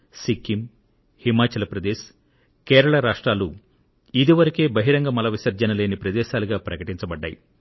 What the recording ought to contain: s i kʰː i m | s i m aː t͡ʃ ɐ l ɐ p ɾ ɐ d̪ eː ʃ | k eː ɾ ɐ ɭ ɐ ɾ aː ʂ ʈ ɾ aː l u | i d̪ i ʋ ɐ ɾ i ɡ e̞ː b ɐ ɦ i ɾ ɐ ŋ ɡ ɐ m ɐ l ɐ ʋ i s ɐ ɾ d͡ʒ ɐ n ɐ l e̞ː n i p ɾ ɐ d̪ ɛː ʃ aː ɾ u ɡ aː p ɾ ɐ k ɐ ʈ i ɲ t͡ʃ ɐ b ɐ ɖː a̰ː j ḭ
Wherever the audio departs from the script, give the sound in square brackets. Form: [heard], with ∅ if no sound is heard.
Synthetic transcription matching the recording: s i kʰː i m | [h] i m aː t͡ʃ ɐ l ɐ p ɾ ɐ d̪ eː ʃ | k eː ɾ ɐ ɭ ɐ ɾ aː ʂ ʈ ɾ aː l u | i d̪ i ʋ ɐ ɾ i [k] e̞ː b ɐ ɦ i ɾ ɐ ŋ ɡ ɐ m ɐ l ɐ ʋ i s ɐ ɾ d͡ʒ ɐ n ɐ l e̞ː n i p ɾ ɐ d̪ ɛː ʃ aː [l] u ɡ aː p ɾ ɐ k ɐ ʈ i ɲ t͡ʃ ɐ b ɐ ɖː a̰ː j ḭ